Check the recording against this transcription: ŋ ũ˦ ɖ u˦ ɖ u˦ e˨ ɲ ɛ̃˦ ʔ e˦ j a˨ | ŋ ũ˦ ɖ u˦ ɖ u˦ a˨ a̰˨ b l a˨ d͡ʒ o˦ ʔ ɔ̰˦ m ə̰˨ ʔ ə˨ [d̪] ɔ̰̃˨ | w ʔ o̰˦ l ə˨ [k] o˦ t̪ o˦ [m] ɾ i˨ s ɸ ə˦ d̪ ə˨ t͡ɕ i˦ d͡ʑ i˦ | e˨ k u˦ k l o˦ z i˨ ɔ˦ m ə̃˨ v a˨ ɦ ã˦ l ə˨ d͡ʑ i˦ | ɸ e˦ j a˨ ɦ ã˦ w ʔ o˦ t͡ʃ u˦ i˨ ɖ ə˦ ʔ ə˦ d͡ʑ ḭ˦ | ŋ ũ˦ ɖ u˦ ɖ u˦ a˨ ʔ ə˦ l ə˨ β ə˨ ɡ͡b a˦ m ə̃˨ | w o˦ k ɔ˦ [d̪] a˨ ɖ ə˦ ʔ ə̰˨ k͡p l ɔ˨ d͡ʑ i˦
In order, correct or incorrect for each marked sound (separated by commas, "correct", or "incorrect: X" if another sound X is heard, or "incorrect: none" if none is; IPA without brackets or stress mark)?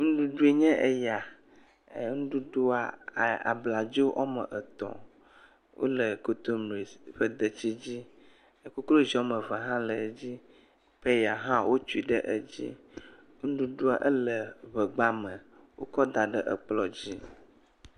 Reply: incorrect: t̪, correct, correct, correct